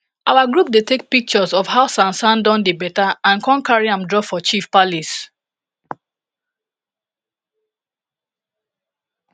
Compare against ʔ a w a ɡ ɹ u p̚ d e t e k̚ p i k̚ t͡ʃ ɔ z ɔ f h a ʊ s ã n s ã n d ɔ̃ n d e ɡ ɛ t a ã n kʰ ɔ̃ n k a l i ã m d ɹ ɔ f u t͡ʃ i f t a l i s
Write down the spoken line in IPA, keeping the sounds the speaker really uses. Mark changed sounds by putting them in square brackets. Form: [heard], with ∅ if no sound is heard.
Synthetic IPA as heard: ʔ a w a ɡ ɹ u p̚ d e t e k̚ p i k̚ t͡ʃ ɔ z ɔ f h a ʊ s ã n s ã n d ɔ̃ n d e [b] ɛ t a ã n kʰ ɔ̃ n k a [ɹ] i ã m d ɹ ɔ f [ɔ] t͡ʃ i f [p] a l i s